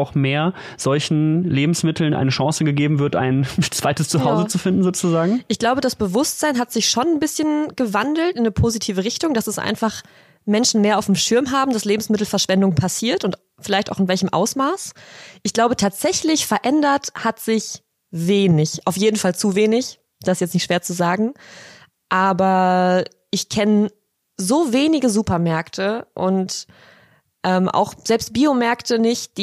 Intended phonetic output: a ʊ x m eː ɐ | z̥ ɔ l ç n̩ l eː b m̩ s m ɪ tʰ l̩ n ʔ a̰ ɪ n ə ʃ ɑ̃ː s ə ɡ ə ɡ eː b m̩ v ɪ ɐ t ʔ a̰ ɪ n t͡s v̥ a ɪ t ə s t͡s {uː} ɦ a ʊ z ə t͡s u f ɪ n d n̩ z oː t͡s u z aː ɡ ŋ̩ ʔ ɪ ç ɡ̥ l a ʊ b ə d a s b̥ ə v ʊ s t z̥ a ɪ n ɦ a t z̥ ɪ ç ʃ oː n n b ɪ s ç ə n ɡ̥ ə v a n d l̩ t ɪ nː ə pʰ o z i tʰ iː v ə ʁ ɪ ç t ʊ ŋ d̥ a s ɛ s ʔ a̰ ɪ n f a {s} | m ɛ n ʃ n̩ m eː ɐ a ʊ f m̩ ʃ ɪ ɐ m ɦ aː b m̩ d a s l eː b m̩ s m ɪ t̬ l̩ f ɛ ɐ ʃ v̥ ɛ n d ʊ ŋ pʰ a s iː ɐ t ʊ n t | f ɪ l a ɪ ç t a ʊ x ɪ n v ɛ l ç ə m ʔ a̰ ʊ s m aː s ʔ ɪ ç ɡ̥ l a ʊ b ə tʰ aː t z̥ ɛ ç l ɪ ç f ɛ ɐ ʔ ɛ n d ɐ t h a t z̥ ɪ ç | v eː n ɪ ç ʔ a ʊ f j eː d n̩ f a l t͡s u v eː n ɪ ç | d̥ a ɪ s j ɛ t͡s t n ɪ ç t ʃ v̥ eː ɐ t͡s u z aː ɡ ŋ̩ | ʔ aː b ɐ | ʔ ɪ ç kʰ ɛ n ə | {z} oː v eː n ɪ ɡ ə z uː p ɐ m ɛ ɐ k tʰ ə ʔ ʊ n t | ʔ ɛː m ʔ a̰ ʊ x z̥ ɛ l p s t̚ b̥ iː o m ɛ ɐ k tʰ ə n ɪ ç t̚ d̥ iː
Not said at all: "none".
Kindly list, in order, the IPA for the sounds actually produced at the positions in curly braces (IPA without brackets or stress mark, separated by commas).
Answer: u, χ, z